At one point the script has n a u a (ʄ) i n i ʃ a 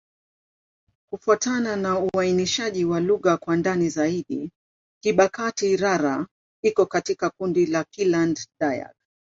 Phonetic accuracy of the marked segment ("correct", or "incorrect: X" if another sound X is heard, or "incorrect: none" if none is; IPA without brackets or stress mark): incorrect: none